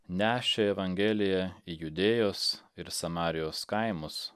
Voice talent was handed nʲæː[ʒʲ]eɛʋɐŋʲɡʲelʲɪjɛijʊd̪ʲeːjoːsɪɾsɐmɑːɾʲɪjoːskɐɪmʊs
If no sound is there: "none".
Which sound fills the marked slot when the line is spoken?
ʃʲ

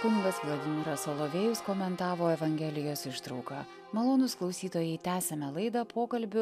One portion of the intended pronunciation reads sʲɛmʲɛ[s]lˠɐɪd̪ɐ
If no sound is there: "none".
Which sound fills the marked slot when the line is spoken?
none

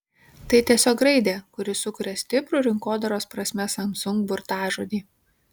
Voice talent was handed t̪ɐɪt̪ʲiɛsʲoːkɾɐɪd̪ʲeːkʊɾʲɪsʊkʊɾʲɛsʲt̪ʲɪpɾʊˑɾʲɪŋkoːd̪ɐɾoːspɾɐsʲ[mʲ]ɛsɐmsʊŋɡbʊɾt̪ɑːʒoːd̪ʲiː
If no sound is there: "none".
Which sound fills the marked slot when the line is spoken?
mʲ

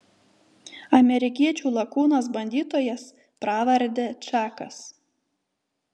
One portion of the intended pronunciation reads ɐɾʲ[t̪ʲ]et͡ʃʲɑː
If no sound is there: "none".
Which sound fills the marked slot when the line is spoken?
d̪ʲ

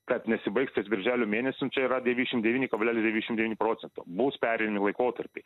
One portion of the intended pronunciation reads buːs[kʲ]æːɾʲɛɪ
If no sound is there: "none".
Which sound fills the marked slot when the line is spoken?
pʲ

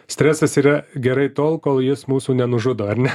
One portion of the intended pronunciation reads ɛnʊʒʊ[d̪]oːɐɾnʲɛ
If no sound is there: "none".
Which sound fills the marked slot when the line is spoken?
d̪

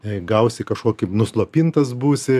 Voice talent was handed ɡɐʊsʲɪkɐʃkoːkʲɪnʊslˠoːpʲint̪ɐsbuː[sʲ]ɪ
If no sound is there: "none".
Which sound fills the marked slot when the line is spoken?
sʲ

